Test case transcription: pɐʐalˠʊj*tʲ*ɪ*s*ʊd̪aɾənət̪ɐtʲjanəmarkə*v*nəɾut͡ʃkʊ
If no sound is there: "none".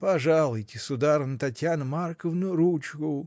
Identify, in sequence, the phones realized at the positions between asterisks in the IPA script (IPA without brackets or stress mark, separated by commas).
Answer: tʲ, s, v